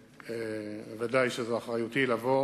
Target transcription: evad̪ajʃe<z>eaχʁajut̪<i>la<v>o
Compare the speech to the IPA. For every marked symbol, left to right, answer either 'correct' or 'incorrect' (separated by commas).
correct, correct, correct